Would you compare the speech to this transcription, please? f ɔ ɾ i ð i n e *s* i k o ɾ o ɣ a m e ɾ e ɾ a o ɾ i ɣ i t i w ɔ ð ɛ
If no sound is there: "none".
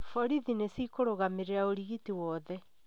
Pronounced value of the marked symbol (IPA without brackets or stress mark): s